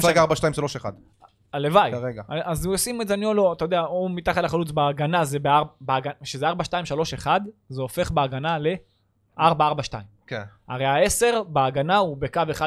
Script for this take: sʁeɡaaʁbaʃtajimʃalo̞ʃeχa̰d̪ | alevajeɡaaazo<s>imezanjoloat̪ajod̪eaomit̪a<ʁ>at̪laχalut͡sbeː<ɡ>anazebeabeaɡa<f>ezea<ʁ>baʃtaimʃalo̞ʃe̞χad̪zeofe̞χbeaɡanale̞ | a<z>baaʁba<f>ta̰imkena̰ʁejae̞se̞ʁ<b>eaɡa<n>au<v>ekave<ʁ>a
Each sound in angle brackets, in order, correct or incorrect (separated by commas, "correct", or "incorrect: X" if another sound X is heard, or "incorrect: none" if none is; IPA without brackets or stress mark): correct, incorrect: χ, correct, incorrect: ʃ, correct, incorrect: ʁ, incorrect: ʃ, correct, correct, incorrect: b, incorrect: χ